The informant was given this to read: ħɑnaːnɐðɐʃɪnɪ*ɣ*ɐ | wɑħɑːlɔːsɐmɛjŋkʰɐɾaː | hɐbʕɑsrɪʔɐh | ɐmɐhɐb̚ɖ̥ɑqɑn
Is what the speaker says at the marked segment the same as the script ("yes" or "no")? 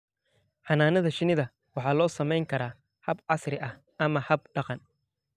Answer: no